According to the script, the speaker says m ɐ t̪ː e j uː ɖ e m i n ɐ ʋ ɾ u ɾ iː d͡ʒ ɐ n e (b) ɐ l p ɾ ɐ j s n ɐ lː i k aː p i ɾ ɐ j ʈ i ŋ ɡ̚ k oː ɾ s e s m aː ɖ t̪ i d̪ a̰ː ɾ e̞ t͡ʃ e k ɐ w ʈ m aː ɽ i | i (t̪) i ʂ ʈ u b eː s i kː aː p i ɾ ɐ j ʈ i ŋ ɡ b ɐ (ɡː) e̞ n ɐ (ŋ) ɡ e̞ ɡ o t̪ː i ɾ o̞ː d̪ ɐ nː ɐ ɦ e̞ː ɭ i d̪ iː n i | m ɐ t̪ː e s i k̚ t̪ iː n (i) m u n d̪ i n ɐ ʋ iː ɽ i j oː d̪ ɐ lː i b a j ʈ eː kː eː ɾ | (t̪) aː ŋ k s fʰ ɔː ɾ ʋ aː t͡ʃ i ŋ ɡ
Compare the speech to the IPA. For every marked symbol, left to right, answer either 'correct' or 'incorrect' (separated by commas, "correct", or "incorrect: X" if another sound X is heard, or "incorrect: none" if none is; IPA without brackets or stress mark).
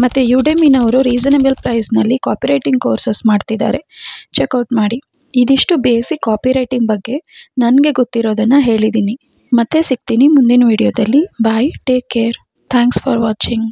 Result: correct, incorrect: d̪, correct, incorrect: n, correct, incorrect: t̪ʰ